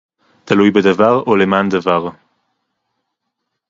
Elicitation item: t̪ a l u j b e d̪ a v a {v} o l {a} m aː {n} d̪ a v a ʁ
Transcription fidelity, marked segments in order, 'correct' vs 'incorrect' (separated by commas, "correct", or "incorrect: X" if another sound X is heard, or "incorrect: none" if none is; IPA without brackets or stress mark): incorrect: ʁ, incorrect: e, correct